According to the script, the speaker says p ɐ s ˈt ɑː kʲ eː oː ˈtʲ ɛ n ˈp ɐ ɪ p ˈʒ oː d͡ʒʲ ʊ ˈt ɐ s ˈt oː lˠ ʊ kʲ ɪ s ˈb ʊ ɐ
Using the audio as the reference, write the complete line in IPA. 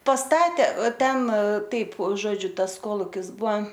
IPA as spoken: p ɐ s ˈt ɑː tʲ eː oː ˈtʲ ɛ n ˈt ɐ ɪ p ˈʒ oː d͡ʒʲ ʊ ˈt ɐ s ˈk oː lˠ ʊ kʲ ɪ s ˈb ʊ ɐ